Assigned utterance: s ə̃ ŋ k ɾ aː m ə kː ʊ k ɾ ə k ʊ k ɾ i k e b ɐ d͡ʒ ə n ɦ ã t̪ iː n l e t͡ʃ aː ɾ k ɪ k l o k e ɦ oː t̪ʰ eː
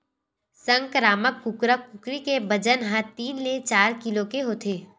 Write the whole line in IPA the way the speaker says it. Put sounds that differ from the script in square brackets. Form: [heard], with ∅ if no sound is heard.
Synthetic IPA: s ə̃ ŋ k ɾ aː m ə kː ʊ k ɾ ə k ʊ k ɾ i k e b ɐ d͡ʒ ə n ɦ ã t̪ iː n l e t͡ʃ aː ɾ k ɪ [∅] l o k e ɦ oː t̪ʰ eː